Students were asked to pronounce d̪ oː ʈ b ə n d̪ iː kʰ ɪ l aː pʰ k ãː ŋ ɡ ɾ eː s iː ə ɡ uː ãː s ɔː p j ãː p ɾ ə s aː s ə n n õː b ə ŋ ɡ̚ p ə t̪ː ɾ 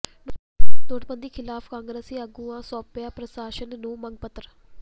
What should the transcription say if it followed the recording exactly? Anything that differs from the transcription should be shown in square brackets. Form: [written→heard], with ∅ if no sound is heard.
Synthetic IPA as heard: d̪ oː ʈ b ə n d̪ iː kʰ ɪ l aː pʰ k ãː ŋ ɡ ɾ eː s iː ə ɡ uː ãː s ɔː p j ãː p ɾ ə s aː [s→ʃ] ə n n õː [b→m] ə ŋ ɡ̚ p ə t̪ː ɾ